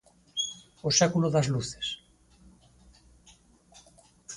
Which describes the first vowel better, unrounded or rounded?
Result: rounded